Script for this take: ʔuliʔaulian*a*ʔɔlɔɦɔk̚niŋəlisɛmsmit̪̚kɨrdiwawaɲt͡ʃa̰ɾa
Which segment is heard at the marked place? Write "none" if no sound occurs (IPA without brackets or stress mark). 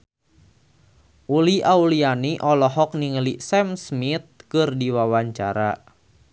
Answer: i